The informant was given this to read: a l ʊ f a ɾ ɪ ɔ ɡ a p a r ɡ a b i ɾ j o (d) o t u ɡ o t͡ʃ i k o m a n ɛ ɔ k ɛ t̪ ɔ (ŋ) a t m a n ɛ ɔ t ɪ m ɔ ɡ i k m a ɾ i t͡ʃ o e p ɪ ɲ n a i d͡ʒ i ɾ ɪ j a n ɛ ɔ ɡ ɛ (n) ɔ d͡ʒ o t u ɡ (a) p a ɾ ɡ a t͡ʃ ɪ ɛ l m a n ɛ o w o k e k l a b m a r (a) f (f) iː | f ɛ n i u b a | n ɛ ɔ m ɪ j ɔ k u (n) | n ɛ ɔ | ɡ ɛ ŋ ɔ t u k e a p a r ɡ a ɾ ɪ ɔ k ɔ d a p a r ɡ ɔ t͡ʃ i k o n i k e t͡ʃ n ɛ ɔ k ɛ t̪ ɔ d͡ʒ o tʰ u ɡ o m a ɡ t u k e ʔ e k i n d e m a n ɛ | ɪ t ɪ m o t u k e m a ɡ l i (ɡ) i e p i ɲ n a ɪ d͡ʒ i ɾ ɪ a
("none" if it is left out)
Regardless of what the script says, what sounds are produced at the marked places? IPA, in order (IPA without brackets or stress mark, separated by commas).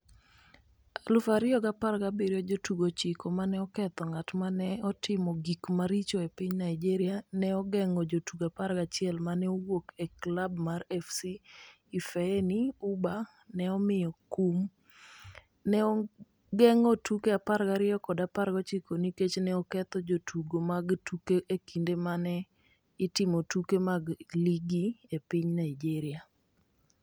d͡ʒ, ŋ, ŋ, a, ɛ, s, m, ɡ